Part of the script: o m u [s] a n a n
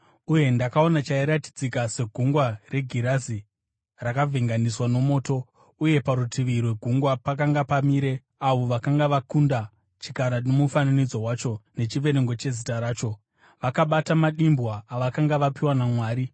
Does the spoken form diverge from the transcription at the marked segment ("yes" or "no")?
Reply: yes